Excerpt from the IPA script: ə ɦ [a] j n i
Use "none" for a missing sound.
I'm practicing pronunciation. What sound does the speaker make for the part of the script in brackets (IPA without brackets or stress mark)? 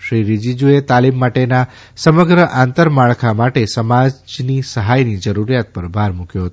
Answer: a